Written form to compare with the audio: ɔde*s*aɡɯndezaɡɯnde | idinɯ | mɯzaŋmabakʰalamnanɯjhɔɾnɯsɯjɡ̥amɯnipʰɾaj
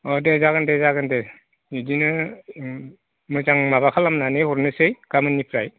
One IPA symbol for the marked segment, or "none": z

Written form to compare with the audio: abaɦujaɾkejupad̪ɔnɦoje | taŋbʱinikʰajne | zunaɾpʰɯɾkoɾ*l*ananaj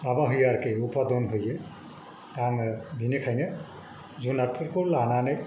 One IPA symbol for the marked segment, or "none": l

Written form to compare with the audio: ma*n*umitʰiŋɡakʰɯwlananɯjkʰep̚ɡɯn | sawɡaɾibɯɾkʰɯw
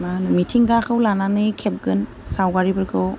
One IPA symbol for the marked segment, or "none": n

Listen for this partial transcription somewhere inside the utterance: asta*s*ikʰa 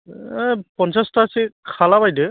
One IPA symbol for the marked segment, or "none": s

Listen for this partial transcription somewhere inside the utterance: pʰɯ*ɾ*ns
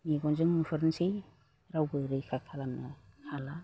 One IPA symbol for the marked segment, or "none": ɾ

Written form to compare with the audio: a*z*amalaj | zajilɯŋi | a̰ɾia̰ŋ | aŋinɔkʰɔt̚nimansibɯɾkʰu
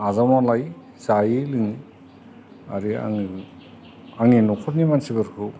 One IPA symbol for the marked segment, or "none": z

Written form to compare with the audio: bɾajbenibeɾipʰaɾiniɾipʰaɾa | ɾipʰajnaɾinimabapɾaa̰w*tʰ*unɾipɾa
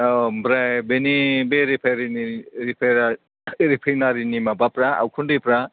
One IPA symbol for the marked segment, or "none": kʰ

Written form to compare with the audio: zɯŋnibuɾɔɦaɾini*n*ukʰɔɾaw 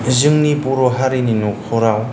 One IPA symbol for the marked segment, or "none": n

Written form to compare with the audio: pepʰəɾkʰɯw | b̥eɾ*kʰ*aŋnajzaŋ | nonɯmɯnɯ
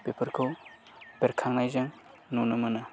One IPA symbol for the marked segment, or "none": kʰ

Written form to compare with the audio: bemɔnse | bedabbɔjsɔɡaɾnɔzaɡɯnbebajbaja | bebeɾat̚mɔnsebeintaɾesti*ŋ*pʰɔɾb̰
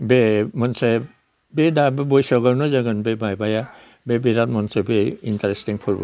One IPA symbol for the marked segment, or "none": ŋ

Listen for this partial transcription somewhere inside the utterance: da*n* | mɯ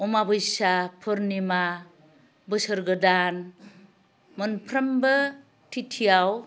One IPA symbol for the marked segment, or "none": n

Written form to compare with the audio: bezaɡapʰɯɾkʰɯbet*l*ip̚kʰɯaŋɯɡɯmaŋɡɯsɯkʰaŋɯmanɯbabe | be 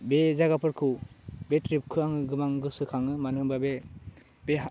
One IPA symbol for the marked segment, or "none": ɾ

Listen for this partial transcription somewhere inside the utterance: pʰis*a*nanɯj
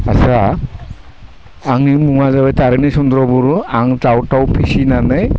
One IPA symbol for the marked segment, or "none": i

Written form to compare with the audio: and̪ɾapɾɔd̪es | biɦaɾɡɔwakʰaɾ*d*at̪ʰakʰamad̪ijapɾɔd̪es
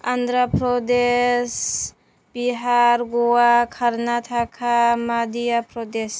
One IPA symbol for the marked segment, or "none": n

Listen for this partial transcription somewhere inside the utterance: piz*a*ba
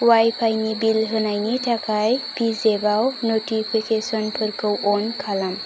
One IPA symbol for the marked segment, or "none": e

